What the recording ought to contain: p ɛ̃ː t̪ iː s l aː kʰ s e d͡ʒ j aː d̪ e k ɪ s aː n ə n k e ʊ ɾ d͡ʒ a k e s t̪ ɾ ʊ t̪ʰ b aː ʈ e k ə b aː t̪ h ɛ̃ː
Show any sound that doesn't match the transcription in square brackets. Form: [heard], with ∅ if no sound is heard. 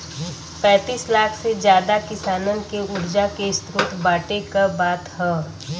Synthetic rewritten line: p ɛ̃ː t̪ iː s l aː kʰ s e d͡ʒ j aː d̪ [a] k ɪ s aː n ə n k e ʊ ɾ d͡ʒ a k e s t̪ ɾ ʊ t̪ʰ b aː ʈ e k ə b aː t̪ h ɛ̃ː